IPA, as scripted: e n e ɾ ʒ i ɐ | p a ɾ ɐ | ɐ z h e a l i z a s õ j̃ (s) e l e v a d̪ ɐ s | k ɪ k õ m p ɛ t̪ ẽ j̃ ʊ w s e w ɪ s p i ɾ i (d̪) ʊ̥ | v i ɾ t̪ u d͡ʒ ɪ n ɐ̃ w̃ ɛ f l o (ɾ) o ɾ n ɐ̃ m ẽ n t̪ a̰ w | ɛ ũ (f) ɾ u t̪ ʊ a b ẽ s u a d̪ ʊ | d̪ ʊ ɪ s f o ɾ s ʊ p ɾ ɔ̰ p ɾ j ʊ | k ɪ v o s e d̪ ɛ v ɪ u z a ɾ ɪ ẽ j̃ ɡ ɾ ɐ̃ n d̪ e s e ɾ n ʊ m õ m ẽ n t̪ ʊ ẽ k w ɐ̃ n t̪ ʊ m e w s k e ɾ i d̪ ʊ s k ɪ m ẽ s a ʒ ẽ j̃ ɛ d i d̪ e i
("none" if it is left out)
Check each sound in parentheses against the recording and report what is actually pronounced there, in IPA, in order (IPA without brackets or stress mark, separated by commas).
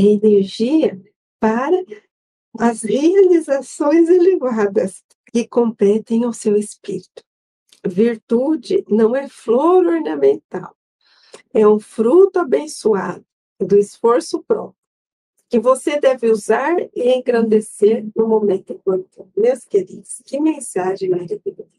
z, t̪, ɾ, f